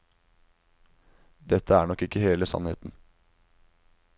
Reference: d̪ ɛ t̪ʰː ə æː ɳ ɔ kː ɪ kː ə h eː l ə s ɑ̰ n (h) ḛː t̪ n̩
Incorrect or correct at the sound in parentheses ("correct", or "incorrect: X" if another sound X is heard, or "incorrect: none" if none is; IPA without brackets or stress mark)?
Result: correct